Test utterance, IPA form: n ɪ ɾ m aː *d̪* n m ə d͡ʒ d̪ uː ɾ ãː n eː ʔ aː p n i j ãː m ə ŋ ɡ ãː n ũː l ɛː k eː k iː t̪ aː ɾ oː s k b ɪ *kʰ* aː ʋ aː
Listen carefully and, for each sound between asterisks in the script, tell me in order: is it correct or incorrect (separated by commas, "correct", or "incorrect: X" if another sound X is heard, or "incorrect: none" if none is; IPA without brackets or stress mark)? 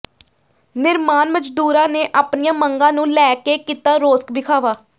incorrect: none, correct